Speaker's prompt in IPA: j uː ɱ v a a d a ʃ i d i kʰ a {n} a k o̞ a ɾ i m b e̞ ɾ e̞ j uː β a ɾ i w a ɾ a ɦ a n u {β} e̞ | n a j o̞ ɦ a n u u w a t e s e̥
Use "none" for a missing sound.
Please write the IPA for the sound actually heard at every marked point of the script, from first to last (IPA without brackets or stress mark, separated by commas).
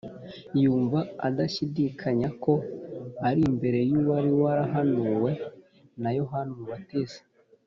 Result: ɲ, w